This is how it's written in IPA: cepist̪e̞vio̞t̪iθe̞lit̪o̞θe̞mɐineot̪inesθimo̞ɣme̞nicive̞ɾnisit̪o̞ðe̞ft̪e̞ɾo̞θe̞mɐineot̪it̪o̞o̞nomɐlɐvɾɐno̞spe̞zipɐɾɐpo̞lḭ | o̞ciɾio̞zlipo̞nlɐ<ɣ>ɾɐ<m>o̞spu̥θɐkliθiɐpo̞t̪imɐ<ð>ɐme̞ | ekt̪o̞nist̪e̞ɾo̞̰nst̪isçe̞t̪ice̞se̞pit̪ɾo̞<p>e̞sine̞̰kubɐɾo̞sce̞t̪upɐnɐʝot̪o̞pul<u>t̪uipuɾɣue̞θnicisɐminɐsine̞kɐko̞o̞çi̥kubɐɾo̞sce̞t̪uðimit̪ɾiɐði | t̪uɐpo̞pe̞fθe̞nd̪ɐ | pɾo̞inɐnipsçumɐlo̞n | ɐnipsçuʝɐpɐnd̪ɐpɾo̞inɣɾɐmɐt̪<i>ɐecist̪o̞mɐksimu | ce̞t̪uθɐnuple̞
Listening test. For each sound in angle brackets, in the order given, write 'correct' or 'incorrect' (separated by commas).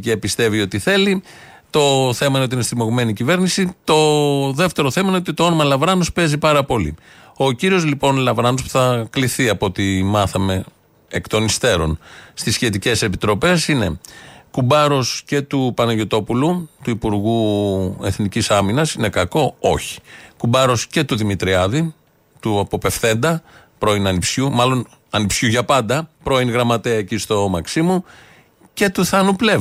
incorrect, incorrect, incorrect, correct, correct, incorrect